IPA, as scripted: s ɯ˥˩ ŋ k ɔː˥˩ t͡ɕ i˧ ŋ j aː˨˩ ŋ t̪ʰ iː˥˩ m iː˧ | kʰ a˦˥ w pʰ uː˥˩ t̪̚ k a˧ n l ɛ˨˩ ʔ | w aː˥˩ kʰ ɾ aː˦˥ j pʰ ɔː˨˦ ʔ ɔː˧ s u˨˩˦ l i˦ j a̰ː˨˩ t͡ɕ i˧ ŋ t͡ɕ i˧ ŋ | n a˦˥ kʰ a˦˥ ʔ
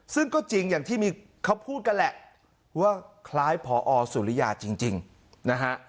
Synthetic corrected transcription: s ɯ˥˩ ŋ k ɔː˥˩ t͡ɕ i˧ ŋ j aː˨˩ ŋ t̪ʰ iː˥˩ m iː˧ | kʰ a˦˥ w pʰ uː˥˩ t̪̚ k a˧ n l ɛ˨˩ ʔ | w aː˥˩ kʰ l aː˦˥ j pʰ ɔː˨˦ ʔ ɔː˧ s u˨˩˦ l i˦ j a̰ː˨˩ t͡ɕ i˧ ŋ t͡ɕ i˧ ŋ | n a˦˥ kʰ a˦˥ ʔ